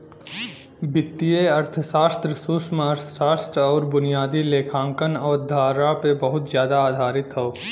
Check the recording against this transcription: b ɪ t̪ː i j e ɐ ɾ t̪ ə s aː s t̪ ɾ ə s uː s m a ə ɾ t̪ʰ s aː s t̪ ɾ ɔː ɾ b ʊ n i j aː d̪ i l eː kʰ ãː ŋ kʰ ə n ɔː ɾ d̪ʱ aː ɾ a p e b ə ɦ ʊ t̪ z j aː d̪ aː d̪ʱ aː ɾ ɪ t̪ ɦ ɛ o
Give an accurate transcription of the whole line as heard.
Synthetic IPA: b ɪ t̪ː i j e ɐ ɾ t̪ʰ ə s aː s t̪ ɾ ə s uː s m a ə ɾ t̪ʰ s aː s t̪ ɾ ɔː ɾ b ʊ n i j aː d̪ i l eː kʰ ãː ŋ k ə n ɔː ɾ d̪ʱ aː ɾ a p e b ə ɦ ʊ t̪ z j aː d̪ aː d̪ʱ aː ɾ ɪ t̪ ɦ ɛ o